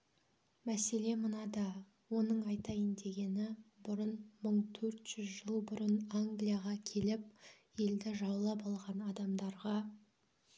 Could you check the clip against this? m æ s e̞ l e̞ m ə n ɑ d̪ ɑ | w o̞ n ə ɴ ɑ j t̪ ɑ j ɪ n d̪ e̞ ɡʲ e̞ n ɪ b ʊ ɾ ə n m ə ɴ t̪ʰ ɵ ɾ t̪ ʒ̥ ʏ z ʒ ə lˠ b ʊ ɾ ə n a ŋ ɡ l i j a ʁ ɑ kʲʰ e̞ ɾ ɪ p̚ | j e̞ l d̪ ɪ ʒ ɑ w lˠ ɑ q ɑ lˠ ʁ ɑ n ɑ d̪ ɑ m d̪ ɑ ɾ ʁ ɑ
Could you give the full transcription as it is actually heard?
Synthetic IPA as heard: m æ s e̞ l e̞ m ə n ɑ d̪ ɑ | w o̞ n ə ɴ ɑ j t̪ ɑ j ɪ n d̪ e̞ ɡʲ e̞ n ɪ b ʊ ɾ ə n m ə ɴ t̪ʰ ɵ ɾ t̪ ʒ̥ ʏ z ʒ ə lˠ b ʊ ɾ ə n a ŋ ɡ l i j a ʁ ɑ kʲʰ e̞ l ɪ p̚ | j e̞ l d̪ ɪ ʒ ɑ w lˠ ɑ p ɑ lˠ ʁ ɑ n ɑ d̪ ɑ m d̪ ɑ ɾ ʁ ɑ

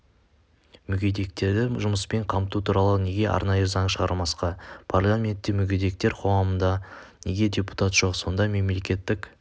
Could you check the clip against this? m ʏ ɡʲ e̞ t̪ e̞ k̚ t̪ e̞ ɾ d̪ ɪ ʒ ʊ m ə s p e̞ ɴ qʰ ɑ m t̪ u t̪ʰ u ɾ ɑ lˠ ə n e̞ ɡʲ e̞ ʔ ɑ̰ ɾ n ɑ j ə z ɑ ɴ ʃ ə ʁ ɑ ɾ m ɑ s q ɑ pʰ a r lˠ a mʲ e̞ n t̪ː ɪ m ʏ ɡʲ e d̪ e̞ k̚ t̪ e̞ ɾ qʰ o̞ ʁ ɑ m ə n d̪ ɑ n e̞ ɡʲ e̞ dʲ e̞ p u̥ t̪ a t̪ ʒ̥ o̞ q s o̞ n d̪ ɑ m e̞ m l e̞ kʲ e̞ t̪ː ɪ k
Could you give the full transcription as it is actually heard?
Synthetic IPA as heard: m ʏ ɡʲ e̞ d̪ e̞ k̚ t̪ e̞ ɾ d̪ ɪ ʒ ʊ m ə s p e̞ ɴ qʰ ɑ m t̪ u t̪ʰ u ɾ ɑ lˠ ə n e̞ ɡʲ e̞ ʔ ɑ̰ ɾ n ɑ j ə z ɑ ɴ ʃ ə ʁ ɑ ɾ m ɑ s q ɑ pʰ a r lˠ a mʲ e̞ n t̪ː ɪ m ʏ ɡʲ e d̪ e̞ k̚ t̪ e̞ ɾ qʰ o̞ ʁ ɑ m ə n d̪ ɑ n e̞ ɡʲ e̞ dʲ e̞ p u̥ t̪ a t̪ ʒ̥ o̞ q s o̞ n d̪ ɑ m e̞ m l e̞ kʲ e̞ t̪ː ɪ k

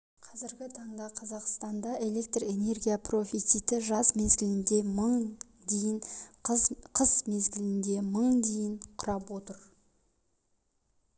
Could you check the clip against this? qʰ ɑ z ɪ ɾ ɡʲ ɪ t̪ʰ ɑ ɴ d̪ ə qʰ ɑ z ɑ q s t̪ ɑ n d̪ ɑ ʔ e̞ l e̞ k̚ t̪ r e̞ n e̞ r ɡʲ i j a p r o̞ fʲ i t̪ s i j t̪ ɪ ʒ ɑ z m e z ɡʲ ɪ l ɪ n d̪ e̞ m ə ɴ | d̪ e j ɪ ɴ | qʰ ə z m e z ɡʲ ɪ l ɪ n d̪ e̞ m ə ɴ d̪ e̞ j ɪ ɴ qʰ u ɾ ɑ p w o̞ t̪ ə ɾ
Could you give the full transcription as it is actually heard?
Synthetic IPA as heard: qʰ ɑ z ɪ ɾ ɡʲ ɪ t̪ʰ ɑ ɴ d̪ ɑ qʰ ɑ z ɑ q s t̪ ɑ n d̪ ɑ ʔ e̞ l e̞ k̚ t̪ r e̞ n e̞ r ɡʲ i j a p r o̞ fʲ i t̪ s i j t̪ ɪ ʒ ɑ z m e z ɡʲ ɪ l ɪ n d̪ e̞ m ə ɴ | d̪ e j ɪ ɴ | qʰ ə z m e z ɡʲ ɪ l ɪ n d̪ e̞ m ə ɴ d̪ e̞ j ɪ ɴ qʰ ʊ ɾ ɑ p w o̞ t̪ ə ɾ

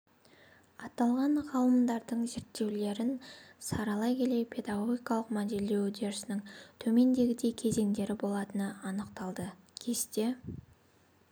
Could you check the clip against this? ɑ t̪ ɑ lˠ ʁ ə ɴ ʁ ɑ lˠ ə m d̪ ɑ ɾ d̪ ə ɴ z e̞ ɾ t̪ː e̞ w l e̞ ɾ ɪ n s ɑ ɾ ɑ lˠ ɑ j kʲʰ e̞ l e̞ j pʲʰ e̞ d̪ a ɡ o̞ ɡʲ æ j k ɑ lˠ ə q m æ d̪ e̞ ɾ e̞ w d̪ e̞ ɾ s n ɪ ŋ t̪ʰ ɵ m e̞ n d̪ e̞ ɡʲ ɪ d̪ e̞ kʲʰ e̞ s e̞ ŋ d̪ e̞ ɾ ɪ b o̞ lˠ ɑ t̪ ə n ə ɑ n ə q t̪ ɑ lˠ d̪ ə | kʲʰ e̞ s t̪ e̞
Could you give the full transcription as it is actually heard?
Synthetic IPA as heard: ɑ t̪ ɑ lˠ ʁ ɑ ɴ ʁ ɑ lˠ ə m d̪ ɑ ɾ d̪ ə ɴ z e̞ ɾ t̪ː e̞ w l e̞ ɾ ɪ n s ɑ ɾ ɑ lˠ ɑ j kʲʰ e̞ l e̞ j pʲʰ e̞ d̪ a ɡ o̞ ɡʲ i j k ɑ lˠ ə q m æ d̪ e̞ l e̞ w d̪ e̞ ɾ s n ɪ ŋ t̪ʰ ɵ m e̞ n d̪ e̞ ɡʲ ɪ d̪ e̞ kʲʰ e̞ z e̞ ŋ d̪ e̞ ɾ ɪ b o̞ lˠ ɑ t̪ ə n ə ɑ n ə q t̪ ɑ lˠ d̪ ə | kʲʰ e̞ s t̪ e̞

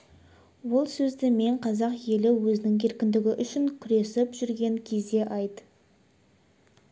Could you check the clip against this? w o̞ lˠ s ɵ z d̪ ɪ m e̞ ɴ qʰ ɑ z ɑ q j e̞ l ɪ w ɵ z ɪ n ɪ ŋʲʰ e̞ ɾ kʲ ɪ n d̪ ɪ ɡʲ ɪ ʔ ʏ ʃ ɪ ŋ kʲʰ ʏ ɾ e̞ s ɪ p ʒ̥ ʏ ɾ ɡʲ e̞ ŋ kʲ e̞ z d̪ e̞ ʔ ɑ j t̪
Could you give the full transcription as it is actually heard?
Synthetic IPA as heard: w o̞ lˠ s ɵ z d̪ ɪ m e̞ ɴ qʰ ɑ z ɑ q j e̞ l ɪ w ɵ z ɪ n ɪ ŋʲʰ e̞ ɾ kʲ ɪ n d̪ ɪ ɡʲ ɪ ʔ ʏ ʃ ɪ ŋ kʲʰ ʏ ɾ e̞ s ɪ p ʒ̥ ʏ ɾ ɡʲ e̞ ŋ kʲʰ e̞ z d̪ e̞ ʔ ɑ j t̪

